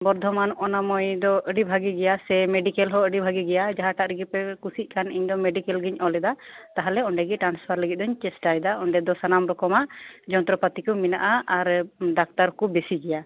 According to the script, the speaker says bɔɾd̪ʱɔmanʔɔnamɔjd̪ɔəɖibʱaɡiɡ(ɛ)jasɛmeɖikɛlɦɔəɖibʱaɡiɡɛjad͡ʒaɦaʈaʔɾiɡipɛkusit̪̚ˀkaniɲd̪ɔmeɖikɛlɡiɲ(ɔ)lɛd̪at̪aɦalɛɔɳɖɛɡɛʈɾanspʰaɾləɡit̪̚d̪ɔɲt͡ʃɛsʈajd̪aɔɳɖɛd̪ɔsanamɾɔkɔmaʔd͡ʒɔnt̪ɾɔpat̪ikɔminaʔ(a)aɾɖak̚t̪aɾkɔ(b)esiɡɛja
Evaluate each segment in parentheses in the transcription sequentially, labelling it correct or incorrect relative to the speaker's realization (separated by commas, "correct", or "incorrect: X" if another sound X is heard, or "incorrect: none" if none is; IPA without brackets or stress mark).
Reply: correct, correct, correct, correct